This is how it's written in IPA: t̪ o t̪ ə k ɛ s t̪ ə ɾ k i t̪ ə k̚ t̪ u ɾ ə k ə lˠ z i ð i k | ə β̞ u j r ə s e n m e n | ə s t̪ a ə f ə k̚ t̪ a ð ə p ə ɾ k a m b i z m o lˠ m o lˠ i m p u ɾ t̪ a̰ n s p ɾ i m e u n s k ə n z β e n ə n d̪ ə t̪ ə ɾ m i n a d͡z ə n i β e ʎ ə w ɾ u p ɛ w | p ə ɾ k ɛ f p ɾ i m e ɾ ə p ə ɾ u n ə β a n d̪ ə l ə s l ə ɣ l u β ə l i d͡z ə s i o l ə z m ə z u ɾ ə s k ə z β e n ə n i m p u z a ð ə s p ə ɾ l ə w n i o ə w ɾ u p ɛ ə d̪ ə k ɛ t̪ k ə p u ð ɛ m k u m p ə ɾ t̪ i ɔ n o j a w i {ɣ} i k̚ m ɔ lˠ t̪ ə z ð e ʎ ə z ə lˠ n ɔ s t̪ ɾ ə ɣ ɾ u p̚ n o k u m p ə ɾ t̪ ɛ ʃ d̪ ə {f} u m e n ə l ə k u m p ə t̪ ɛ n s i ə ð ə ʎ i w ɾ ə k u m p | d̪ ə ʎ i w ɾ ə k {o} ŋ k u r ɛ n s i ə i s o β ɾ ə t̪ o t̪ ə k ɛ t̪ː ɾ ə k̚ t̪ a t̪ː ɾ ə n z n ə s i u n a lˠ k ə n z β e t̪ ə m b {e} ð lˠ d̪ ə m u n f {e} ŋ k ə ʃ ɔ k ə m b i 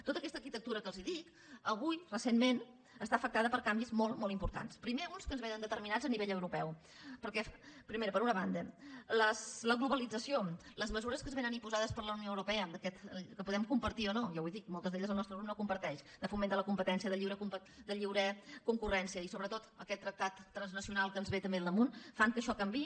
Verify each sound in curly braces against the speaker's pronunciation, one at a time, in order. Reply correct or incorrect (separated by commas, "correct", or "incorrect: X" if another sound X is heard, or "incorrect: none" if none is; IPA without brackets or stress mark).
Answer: incorrect: ð, correct, incorrect: u, correct, incorrect: a